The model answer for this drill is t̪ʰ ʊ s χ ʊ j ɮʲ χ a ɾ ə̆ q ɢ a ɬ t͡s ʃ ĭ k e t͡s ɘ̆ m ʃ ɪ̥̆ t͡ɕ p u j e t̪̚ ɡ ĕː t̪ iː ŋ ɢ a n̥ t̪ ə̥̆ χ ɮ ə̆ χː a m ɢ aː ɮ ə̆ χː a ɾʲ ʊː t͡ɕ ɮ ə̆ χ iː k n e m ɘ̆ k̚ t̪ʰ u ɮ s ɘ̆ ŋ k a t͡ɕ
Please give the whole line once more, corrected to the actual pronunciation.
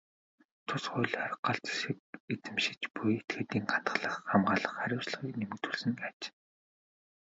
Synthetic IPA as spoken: t̪ʰ ʊ s χ ʊ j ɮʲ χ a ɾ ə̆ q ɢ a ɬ t͡s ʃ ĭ k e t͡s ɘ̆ m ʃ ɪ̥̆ t͡ɕ p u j e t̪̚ ɡ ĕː t̪ iː ŋ ɢ a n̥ t̪ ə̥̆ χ ɮ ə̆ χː a m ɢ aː ɮ ə̆ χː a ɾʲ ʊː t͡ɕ ɮ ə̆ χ iː k n e m ɘ̆ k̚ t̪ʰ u ɮ s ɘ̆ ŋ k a t͡ɕ